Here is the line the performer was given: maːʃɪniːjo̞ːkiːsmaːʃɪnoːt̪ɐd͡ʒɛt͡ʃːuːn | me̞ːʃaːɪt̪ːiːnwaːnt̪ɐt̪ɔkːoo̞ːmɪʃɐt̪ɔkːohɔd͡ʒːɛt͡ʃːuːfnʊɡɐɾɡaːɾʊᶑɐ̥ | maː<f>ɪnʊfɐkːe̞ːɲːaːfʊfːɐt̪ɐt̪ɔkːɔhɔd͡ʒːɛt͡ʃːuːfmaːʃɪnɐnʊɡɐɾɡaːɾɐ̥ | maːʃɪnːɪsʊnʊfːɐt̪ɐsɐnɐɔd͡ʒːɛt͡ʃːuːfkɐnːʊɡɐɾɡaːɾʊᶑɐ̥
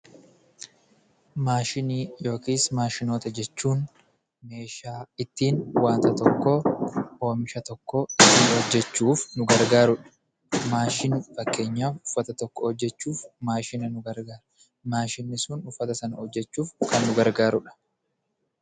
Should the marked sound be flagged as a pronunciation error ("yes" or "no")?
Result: yes